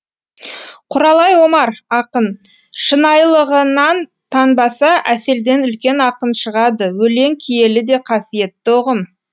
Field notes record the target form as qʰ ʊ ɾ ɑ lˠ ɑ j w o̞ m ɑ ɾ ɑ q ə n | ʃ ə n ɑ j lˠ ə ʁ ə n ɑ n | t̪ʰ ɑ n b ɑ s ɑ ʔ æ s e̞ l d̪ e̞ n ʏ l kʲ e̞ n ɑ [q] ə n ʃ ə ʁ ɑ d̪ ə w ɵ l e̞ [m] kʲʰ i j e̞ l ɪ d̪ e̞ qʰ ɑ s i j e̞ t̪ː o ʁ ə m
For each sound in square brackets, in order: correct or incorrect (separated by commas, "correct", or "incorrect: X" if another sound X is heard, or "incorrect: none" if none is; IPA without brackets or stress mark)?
correct, incorrect: ŋ